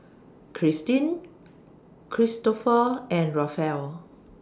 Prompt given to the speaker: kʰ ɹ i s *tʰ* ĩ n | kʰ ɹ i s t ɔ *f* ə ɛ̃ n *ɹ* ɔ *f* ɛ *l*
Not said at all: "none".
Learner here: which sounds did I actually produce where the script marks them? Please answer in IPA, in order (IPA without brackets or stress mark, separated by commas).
t, f, ɹ, f, l